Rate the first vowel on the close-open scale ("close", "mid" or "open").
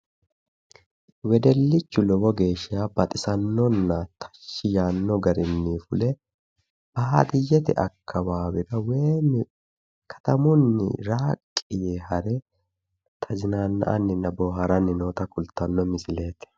mid